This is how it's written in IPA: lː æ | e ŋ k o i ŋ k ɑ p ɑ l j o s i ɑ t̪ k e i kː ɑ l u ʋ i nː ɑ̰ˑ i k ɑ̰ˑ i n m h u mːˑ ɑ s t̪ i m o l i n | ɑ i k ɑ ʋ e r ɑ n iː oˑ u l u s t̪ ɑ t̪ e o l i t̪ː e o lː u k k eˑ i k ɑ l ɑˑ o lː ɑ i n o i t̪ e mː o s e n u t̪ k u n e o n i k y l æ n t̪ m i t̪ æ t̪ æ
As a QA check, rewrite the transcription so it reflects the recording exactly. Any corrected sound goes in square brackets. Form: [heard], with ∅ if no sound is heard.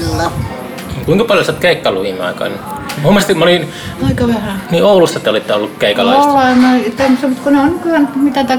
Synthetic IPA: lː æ | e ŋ k [u] i ŋ k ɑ p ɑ l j o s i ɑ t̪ k e i kː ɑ l u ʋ i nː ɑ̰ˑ i k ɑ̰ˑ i n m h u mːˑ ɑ s t̪ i m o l i n | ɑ i k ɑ ʋ e r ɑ n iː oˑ u l u s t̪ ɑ t̪ e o l i t̪ː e o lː u k k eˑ i k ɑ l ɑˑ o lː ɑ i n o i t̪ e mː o s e [m] u t̪ k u n e o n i k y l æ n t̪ m i t̪ æ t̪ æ